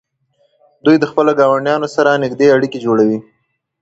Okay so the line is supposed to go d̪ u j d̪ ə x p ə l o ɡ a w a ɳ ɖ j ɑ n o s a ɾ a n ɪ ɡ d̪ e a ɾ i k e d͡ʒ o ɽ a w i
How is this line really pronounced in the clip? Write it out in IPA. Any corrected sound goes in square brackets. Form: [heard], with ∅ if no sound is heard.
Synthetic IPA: d̪ u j d̪ ə x p ə l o ɡ [ɑ] w a ɳ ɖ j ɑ n o s a ɾ a n ɪ ɡ d̪ e a [ɽ] i k e d͡ʒ o ɽ a w i